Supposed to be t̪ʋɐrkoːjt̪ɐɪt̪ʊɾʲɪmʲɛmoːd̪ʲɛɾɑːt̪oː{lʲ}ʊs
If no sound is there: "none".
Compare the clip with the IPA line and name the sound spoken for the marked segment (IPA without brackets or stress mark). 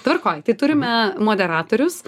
ɾʲ